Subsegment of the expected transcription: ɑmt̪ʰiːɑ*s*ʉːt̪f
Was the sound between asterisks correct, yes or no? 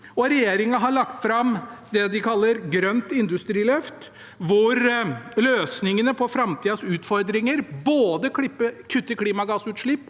yes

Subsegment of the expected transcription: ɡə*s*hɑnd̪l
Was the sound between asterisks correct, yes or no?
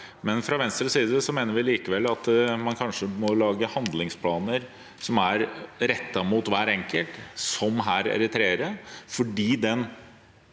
no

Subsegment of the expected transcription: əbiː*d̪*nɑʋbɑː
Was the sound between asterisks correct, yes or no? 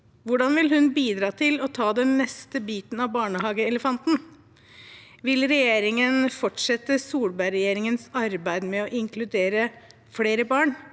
no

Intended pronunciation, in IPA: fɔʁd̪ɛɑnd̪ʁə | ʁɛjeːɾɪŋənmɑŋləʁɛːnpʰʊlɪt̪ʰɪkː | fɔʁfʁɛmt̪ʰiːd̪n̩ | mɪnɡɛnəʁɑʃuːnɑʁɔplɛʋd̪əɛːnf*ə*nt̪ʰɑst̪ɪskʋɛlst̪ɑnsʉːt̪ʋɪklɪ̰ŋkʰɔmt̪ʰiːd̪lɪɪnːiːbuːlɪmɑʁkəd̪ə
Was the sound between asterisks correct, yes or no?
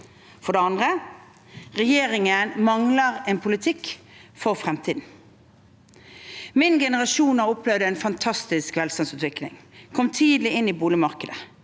no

